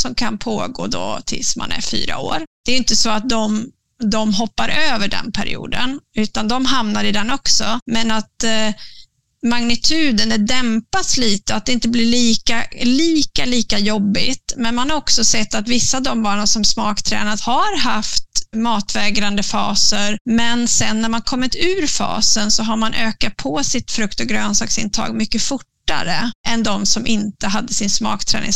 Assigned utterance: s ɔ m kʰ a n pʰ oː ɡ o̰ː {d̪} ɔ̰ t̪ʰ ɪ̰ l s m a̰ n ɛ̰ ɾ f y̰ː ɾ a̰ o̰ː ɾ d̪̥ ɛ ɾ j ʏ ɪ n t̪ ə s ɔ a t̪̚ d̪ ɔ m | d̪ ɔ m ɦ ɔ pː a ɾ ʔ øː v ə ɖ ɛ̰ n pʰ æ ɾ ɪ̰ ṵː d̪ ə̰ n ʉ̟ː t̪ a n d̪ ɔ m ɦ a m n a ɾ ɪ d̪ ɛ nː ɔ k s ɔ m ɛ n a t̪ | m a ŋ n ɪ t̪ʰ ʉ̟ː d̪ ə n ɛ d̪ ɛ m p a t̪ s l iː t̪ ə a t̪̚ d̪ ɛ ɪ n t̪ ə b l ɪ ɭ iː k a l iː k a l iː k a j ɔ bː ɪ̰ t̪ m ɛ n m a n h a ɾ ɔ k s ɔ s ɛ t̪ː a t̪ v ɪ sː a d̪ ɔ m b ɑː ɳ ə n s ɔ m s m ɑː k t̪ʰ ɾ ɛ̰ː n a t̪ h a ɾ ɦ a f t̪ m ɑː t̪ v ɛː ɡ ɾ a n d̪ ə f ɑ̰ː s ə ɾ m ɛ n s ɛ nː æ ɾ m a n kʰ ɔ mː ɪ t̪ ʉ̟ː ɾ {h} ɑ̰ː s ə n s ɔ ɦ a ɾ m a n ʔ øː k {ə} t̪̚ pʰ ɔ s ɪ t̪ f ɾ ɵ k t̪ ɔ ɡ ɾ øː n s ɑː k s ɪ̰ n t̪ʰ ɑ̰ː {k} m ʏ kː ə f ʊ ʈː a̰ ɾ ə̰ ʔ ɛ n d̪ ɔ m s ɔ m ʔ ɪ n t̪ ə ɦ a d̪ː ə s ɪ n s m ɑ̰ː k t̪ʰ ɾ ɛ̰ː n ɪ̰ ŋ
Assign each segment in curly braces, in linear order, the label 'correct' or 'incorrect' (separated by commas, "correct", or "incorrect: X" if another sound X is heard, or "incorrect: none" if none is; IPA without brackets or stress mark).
correct, incorrect: f, incorrect: a, incorrect: ɡ